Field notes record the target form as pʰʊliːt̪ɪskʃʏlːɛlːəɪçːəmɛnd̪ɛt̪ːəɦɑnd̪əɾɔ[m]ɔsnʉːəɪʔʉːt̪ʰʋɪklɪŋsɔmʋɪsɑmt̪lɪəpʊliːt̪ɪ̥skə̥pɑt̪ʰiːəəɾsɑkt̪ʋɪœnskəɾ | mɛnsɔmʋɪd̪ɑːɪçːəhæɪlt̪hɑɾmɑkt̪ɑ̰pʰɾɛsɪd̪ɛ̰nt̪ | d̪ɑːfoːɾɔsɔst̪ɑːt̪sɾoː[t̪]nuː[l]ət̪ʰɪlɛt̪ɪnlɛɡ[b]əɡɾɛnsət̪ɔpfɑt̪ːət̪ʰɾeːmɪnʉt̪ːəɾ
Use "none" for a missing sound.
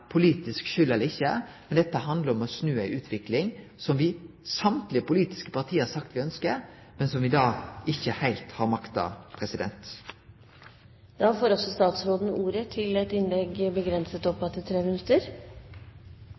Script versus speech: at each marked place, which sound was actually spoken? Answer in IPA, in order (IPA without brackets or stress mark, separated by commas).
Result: m, d̪, ɾ, b